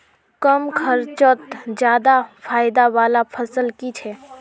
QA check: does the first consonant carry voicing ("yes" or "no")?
no